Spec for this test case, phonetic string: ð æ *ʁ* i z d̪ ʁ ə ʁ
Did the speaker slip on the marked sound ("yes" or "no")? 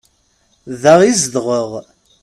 no